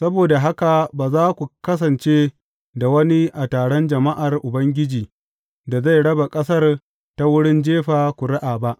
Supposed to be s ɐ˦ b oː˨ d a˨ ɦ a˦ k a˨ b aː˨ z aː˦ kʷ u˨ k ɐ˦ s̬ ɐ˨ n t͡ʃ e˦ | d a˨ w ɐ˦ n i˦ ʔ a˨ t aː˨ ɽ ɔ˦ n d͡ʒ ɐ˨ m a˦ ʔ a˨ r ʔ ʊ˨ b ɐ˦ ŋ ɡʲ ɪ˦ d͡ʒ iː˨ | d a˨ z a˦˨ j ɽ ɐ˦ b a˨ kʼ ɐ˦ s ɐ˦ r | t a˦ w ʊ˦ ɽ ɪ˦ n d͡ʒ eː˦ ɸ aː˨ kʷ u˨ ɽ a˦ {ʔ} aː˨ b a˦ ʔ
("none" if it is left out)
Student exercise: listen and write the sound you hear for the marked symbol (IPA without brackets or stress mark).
ʔ